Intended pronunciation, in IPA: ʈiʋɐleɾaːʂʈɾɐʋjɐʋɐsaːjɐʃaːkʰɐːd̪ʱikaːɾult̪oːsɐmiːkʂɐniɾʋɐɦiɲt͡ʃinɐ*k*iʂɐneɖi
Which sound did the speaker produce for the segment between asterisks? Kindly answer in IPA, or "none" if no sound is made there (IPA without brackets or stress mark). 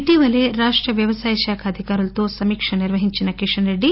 k